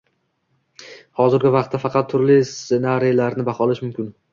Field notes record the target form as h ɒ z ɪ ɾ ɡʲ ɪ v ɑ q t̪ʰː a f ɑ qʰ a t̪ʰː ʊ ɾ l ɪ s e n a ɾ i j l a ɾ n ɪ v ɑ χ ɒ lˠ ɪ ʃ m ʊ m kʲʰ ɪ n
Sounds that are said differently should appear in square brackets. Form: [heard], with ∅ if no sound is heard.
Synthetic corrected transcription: h ɒ z ɪ ɾ ɡʲ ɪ v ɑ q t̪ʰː a f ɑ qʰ [ɑ] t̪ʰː ʊ ɾ l ɪ s e n a ɾ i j l a ɾ n ɪ [b] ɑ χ ɒ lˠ ɪ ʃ m ʊ m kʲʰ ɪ n